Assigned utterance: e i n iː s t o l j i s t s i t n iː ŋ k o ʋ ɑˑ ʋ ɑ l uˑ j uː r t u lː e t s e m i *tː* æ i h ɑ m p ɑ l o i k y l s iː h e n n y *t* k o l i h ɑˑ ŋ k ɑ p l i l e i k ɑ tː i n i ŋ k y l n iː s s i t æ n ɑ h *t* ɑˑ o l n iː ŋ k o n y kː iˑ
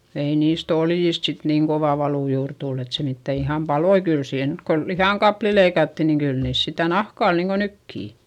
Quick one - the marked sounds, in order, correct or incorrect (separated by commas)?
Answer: correct, correct, incorrect